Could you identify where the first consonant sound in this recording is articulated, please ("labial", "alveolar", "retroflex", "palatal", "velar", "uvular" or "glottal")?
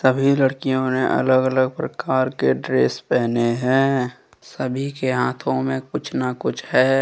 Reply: alveolar